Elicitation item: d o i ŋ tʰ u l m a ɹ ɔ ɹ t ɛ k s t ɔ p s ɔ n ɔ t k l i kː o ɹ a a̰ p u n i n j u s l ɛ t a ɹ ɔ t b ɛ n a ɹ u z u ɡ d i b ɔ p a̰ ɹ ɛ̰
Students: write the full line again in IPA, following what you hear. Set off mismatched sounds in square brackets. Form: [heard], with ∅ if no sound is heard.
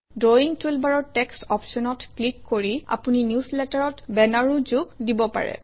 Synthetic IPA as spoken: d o i ŋ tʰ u l [b] a ɹ ɔ ɹ t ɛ k s t ɔ p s ɔ n ɔ t k l i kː o ɹ [i] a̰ p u n i n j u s l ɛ t a ɹ ɔ t b ɛ n a ɹ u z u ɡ d i b ɔ p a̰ ɹ ɛ̰